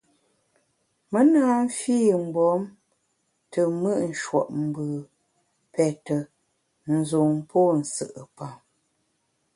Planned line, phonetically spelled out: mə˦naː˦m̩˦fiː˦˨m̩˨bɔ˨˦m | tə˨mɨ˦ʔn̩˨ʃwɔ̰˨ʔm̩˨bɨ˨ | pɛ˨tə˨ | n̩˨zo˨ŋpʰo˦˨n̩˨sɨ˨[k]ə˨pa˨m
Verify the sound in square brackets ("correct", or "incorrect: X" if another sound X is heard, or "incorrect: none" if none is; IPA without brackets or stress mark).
incorrect: ʔ